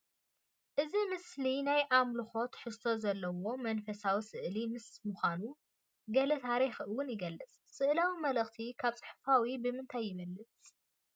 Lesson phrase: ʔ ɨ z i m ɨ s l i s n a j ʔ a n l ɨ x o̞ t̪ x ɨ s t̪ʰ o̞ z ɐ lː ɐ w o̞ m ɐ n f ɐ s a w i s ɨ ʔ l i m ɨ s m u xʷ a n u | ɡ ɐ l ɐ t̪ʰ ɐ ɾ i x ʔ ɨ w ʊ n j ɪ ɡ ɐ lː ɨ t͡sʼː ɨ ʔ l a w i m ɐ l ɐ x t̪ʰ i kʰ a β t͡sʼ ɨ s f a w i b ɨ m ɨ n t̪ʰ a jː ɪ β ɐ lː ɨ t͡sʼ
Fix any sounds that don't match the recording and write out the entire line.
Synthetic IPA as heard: ʔ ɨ z i m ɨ s l i n a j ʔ a m l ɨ x o̞ t̪ ħ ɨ s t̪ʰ o̞ z ɐ lː ɐ w o̞ m ɐ n f ɐ s a w i s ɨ ʔ l i m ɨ s m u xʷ a n u | ɡ ɐ l ɐ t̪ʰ a ɾ i x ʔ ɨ w ʊ n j ɪ ɡ ɐ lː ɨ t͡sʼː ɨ ʔ l a w i m ɐ l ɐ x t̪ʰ i kʰ a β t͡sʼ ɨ ħ f a w i b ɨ m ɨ n t̪ʰ a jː ɪ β ɐ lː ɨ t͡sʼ

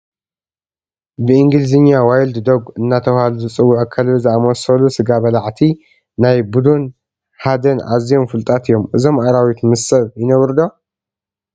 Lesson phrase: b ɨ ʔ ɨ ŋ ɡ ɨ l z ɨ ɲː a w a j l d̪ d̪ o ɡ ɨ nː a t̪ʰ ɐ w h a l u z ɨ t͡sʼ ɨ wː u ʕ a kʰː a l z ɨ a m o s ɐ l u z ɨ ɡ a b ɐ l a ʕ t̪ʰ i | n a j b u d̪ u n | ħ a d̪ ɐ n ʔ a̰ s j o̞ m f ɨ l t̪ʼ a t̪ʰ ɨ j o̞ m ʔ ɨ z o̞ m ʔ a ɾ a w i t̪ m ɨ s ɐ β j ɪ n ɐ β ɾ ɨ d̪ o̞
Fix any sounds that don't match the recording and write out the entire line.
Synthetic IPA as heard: b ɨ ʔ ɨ ŋ ɡ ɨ l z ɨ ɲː a w a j l d̪ d̪ o ɡ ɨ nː a t̪ʰ ɐ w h a l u z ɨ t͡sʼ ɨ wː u ʕ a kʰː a l z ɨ a m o s ɐ l u s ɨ ɡ a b ɐ l a ʕ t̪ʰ i | n a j b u d̪ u n | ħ a d̪ ɐ n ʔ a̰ z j o̞ m f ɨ l t̪ʼ a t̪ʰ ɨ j o̞ m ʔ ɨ z o̞ m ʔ a ɾ a w i t̪ m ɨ s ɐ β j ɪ n ɐ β ɾ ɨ d̪ o̞

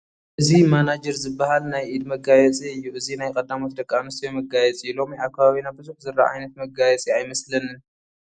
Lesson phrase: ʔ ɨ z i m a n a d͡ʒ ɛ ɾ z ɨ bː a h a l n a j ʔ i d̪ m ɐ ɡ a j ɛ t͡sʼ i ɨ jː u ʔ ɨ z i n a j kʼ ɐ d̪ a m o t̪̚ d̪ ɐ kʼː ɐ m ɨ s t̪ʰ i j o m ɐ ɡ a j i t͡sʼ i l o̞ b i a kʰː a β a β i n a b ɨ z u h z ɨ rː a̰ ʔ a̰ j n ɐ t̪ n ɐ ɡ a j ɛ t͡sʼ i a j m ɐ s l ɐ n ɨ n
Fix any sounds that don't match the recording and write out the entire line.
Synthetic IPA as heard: ʔ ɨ z i m a n a d͡ʒ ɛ ɾ z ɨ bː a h a l n a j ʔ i d̪ m ɐ ɡ a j ɛ t͡sʼ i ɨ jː u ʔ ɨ z i n a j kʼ ɐ d̪ a m o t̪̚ d̪ ɐ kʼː a m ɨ s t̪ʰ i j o m ɐ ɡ a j ɛ t͡sʼ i l o̞ m i a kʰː a β a β i n a b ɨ z u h z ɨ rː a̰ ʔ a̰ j n ɐ t̪ m ɐ ɡ a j ɛ t͡sʼ i a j m ɐ s l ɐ n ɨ n

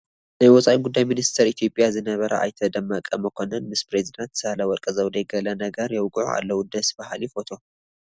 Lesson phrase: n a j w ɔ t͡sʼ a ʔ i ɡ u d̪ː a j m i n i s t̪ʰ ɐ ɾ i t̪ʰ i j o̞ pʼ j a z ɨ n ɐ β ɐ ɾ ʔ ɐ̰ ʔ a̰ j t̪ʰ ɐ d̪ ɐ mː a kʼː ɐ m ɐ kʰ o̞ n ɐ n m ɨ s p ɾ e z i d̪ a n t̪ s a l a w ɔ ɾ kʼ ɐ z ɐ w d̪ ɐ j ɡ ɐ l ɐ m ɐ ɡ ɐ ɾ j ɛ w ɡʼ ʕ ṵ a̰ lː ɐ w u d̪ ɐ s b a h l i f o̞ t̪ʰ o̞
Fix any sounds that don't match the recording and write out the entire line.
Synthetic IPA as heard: n a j w ɔ t͡sʼ a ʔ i ɡ u d̪ː a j m i n i s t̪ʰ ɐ ɾ i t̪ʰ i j o̞ pʼ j a z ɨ n ɐ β ɐ ɾ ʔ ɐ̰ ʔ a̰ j t̪ʰ ɐ d̪ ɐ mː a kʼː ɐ m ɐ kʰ o̞ n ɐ n m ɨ s p ɾ e z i d̪ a n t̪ s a l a w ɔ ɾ kʼ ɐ z ɐ w d̪ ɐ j ɡ ɐ l ɐ n ɐ ɡ ɐ ɾ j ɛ w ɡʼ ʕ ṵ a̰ lː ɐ w u d̪ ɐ s b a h l i f o̞ t̪ʰ o̞

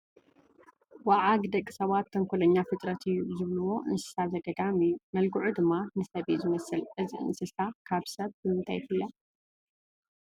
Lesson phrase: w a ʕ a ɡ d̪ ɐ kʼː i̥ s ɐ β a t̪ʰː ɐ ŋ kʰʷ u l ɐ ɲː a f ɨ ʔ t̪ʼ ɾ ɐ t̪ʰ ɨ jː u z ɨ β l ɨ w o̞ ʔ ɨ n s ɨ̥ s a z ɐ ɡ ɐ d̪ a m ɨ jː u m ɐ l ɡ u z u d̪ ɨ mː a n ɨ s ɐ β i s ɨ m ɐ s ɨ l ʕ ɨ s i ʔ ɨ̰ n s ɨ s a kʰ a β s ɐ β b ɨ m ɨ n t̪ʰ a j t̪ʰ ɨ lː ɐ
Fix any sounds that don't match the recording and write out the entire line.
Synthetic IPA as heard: w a ʕ a ɡ d̪ ɐ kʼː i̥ s ɐ β a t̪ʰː ɐ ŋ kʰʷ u l ɐ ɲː a f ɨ t̪ʼ ɾ ɐ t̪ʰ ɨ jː u z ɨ β l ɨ w o̞ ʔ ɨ n s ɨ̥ s a z ɐ ɡ ɐ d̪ a m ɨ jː u m ɐ l ɡ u ʕ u d̪ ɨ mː a n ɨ s ɐ β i z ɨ m ɐ s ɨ l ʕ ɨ z i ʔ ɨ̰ n s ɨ s a kʰ a β s ɐ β b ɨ m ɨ n t̪ʰ a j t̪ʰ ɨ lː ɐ

